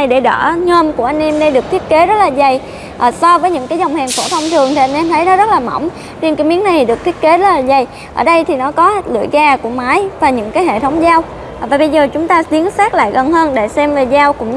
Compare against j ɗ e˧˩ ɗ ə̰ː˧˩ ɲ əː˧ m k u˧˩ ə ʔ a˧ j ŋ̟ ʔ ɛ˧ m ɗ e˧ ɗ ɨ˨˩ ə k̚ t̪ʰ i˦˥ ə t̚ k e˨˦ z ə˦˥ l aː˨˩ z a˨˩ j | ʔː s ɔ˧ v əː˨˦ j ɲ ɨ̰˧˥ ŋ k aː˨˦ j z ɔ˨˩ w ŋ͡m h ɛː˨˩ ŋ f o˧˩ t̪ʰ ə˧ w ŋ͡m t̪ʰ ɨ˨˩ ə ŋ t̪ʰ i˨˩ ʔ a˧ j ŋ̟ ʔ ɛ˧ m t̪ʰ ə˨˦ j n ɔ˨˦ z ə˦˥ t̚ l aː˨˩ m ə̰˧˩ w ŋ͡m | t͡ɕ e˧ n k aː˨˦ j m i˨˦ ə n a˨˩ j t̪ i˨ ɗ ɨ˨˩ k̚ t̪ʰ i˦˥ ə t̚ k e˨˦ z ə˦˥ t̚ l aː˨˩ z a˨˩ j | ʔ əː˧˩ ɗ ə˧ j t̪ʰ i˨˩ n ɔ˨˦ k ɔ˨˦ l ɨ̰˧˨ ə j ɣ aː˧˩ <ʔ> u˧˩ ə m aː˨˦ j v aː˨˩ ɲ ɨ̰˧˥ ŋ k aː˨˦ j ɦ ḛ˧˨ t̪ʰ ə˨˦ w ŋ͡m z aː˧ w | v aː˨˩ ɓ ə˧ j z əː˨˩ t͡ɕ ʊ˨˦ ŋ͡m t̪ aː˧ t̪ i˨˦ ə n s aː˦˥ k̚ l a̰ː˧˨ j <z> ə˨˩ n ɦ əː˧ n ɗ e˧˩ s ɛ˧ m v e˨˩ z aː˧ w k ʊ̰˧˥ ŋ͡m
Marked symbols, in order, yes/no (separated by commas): no, no